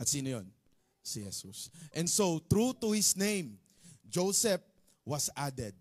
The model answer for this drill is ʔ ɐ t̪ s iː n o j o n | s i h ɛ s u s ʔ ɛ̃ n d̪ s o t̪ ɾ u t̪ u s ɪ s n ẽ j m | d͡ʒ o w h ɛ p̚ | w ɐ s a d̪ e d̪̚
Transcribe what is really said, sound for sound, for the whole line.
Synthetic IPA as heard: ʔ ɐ t̪ s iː n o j o n | s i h ɛ s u s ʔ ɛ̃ n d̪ s o t̪ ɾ u t̪ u h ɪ s n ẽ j m | d͡ʒ o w s ɛ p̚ | w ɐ s a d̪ ɛ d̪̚